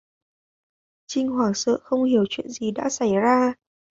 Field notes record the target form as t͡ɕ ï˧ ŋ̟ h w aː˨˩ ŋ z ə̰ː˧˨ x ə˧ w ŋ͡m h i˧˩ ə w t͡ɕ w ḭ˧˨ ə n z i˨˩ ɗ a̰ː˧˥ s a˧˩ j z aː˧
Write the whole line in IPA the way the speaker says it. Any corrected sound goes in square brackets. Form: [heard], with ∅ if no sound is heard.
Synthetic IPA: t͡ɕ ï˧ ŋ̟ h w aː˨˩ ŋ [s] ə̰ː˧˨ x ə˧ w ŋ͡m h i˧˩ ə w t͡ɕ w ḭ˧˨ ə n z i˨˩ ɗ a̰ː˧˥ s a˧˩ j z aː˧